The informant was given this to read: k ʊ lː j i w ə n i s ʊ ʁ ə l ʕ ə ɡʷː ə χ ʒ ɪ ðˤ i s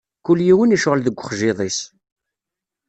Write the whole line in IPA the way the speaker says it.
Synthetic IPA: k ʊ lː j i w ə n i ʃ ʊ ʁ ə l ð ə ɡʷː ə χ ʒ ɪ ðˤ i s